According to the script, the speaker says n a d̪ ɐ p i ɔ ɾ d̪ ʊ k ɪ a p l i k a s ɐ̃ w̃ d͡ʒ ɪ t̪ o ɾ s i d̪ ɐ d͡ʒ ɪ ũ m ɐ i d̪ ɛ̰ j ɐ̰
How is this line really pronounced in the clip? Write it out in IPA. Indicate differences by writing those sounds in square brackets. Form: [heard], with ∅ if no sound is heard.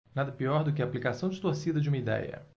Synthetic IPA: n a d̪ ɐ p i ɔ ɾ d̪ ʊ k ɪ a p l i k a s ɐ̃ w̃ d͡ʒ ɪ t̪ o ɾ s i d̪ ɐ d͡ʒ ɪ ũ m ɐ i d̪ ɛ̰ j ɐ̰